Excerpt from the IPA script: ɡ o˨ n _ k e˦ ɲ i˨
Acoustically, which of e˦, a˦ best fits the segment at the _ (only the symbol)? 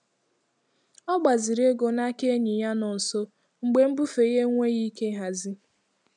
a˦